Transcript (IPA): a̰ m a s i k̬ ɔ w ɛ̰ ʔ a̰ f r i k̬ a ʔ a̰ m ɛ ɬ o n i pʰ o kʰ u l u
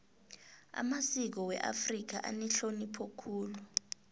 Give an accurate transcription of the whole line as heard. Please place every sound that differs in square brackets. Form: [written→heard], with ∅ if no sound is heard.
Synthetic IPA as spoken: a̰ m a s i k̬ ɔ w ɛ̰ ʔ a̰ f r i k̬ a ʔ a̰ [m→n] ɛ ɬ o n i pʰ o kʰ [u→uː] l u